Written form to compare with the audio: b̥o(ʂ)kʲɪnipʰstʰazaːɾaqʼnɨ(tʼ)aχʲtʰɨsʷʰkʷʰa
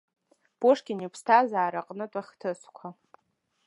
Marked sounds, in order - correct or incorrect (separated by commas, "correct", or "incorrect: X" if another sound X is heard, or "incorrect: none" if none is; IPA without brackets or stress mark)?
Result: correct, correct